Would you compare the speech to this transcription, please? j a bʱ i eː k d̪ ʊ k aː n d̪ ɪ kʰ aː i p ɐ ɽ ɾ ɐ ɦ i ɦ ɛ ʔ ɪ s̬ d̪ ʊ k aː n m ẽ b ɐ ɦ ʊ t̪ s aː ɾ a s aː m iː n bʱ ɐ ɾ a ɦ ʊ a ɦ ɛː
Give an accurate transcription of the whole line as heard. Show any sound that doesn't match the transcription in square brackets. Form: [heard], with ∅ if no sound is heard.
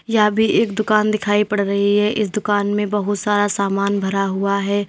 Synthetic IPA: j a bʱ i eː k d̪ ʊ k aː n d̪ ɪ kʰ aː i p ɐ ɽ ɾ ɐ ɦ i ɦ ɛ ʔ ɪ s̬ d̪ ʊ k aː n m ẽ b ɐ ɦ ʊ t̪ s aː ɾ a s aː m [aː] n bʱ ɐ ɾ a ɦ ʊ a ɦ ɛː